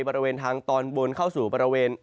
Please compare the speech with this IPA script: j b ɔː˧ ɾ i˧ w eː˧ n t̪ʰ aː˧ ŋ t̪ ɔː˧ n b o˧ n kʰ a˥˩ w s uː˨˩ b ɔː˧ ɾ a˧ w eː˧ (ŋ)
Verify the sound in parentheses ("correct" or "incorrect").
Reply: incorrect